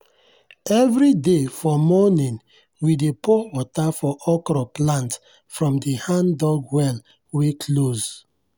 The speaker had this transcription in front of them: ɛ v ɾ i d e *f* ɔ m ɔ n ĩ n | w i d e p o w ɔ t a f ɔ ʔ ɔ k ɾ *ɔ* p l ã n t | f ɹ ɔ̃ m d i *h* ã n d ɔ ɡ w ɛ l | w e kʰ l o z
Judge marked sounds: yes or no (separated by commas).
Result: yes, yes, yes